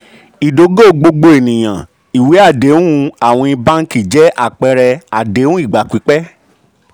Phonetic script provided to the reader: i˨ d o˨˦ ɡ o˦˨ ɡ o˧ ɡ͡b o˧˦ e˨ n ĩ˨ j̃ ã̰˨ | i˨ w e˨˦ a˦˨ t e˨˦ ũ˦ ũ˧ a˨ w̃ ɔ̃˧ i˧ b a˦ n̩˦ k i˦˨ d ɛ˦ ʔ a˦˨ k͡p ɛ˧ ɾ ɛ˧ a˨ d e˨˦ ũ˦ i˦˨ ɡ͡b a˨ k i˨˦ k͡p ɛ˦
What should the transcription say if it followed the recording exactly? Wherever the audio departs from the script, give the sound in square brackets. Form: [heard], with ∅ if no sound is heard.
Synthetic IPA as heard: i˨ d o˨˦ ɡ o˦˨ [ɡ͡b] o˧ ɡ͡b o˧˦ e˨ n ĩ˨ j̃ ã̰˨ | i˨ w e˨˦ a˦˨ [d] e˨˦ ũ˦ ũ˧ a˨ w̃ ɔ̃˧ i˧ b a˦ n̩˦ k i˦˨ [d͡ʒ] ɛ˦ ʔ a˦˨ k͡p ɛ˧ ɾ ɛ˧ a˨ d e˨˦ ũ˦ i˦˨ ɡ͡b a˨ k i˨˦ k͡p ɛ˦